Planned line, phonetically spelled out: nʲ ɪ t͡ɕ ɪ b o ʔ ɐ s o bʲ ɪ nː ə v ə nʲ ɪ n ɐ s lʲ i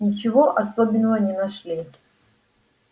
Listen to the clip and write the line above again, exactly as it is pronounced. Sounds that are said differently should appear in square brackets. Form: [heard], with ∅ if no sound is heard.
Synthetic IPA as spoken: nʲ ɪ t͡ɕ ɪ [v] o ʔ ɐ s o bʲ ɪ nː ə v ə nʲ ɪ n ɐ [ʂ] lʲ i